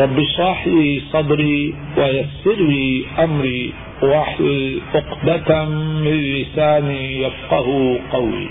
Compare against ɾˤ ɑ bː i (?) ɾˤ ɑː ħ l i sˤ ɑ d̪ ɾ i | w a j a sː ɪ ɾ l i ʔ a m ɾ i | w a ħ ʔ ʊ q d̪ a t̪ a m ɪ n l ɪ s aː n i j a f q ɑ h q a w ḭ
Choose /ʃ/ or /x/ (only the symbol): ʃ